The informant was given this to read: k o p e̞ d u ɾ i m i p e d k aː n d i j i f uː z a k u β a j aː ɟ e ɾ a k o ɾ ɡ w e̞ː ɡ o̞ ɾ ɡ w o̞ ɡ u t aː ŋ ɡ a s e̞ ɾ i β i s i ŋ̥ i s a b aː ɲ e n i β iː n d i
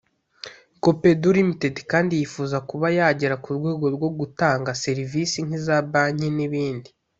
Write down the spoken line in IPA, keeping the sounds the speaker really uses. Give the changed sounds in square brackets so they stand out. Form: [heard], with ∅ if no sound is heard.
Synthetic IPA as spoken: k o p e̞ d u ɾ i m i [t] e d k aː n d i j i f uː z a k u β a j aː ɟ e ɾ a k [u] ɾ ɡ w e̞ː ɡ o̞ ɾ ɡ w o̞ ɡ u t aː ŋ ɡ a s e̞ ɾ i [v] i s i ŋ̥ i [z] a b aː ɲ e n i β iː n d i